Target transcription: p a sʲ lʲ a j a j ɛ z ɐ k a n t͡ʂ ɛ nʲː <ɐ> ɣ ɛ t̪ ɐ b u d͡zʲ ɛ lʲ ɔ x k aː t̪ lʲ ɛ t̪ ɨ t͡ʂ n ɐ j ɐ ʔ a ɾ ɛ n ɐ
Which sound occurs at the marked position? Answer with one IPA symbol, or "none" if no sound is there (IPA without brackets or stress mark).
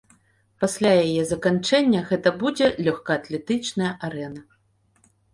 ɐ